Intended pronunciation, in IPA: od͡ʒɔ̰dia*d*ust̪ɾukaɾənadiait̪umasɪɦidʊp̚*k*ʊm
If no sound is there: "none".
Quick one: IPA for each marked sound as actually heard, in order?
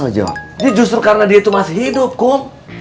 d͡ʒ, k

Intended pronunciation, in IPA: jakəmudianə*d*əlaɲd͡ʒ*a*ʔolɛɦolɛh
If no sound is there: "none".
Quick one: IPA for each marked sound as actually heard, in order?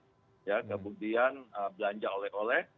b, a

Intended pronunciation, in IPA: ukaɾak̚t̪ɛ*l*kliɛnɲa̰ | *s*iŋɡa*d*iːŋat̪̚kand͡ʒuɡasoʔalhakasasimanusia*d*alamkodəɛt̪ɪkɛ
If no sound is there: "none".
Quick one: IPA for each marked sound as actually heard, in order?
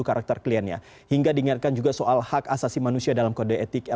r, h, d, d

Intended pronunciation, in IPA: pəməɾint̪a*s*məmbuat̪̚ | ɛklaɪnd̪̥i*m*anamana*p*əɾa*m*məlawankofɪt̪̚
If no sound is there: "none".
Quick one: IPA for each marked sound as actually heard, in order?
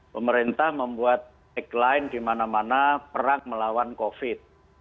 h, m, p, ŋ

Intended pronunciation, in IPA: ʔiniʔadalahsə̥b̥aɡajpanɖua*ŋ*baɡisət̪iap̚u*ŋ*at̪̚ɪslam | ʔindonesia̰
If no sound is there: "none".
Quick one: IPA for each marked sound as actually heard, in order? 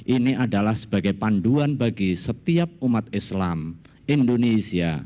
n, m

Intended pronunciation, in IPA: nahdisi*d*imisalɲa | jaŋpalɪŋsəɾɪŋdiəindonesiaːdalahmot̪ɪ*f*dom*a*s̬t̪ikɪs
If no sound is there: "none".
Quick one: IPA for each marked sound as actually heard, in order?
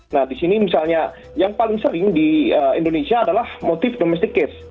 n, f, ɛ

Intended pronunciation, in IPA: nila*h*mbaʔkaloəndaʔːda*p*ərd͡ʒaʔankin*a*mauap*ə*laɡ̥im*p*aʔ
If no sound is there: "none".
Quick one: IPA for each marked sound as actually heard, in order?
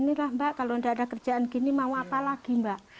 h, k, i, a, b

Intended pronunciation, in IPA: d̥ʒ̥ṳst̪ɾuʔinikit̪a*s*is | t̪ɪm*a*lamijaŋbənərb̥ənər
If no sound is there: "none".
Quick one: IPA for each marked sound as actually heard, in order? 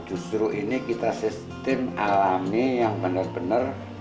s, a

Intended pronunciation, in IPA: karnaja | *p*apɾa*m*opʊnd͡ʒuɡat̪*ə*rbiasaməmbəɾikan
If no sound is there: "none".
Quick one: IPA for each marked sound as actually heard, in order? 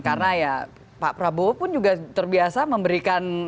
p, b, ə

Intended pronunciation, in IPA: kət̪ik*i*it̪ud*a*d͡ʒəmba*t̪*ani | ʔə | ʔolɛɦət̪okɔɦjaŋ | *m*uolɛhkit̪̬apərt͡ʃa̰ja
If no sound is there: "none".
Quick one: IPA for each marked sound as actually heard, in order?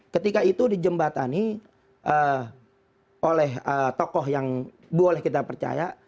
a, i, t̪, b

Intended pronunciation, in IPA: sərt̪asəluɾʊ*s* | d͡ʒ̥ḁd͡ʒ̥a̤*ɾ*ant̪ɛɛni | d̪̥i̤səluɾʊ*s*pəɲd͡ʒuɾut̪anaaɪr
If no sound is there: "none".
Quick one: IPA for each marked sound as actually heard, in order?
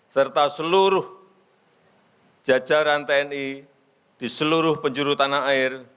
h, ɾ, h

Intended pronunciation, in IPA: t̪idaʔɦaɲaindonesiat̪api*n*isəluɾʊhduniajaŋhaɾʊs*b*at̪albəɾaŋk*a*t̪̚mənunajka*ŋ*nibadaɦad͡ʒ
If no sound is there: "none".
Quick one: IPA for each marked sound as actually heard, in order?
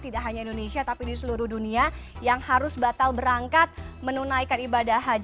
d, b, a, none

